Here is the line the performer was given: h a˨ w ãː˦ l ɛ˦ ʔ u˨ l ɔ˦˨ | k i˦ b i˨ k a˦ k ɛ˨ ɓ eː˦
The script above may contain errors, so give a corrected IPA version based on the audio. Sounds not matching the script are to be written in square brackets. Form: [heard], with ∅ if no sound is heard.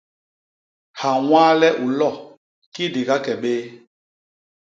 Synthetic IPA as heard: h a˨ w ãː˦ l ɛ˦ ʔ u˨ l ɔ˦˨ | k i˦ [d] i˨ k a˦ k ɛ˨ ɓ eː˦